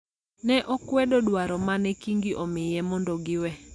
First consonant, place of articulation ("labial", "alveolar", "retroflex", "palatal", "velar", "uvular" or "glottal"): alveolar